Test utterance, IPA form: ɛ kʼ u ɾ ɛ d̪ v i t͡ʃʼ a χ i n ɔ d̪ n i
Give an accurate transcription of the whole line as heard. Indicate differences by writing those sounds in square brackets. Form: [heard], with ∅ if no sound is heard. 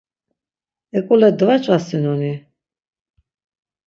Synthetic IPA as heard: ɛ kʼ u [l] ɛ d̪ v [a] t͡ʃʼ a [s] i n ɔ [∅] n i

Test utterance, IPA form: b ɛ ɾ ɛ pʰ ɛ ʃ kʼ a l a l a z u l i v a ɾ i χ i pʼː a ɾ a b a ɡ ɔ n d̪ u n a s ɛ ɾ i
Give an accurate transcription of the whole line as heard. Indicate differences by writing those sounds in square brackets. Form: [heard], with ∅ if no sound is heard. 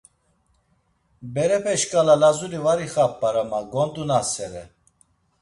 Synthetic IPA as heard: b ɛ ɾ ɛ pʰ ɛ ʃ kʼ a l a l a z u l i v a ɾ i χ [a] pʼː a ɾ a [m] a ɡ ɔ n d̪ u n a s ɛ ɾ [ɛ]

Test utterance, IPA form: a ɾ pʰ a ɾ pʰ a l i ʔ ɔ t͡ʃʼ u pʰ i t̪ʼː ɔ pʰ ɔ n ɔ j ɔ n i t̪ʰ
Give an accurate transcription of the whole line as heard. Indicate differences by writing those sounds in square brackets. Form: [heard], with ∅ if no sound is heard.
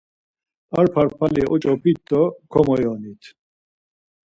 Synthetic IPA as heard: a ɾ pʰ a ɾ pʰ a l i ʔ ɔ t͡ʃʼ [ɔ] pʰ i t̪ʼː ɔ [kʰ] ɔ [m] ɔ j ɔ n i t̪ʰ

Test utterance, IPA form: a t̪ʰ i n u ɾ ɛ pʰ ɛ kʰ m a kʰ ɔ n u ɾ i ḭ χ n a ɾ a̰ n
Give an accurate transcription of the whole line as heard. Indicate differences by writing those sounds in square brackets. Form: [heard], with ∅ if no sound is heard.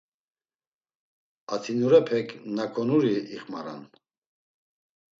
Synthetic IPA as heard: a t̪ʰ i n u ɾ ɛ pʰ ɛ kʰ [n] a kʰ ɔ n u ɾ i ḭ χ [m] a ɾ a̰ n

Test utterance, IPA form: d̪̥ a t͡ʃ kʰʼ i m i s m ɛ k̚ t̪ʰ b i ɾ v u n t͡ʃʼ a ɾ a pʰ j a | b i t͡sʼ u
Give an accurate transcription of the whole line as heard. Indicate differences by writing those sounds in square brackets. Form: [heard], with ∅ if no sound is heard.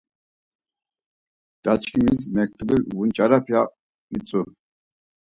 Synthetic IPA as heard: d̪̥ a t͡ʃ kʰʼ i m i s m ɛ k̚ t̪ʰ b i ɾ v u n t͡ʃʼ a ɾ a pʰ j a | [m] i t͡sʼ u

